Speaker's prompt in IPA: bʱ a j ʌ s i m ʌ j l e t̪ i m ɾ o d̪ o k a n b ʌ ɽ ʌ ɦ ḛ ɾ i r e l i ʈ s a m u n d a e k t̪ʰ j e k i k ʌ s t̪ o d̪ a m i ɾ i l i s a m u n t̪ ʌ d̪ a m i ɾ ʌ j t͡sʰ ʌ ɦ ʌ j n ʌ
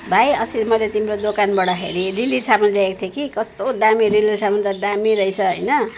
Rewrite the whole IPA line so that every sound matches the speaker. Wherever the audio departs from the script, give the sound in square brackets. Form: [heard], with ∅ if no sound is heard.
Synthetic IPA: bʱ a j ʌ s i m ʌ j l e t̪ i m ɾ o d̪ o k a n b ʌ ɽ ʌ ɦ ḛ ɾ i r [i] l i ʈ s a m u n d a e k t̪ʰ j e k i k ʌ s t̪ o d̪ a m i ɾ i l i s a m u n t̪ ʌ d̪ a m i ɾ ʌ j t͡sʰ ʌ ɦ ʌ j n ʌ